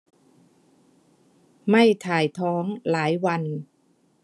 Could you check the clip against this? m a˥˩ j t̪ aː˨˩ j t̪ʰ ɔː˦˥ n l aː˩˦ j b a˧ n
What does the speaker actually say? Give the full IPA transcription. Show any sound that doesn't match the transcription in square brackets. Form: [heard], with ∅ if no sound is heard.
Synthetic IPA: m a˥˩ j [t̪ʰ] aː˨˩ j t̪ʰ ɔː˦˥ [ŋ] l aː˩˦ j [w] a˧ n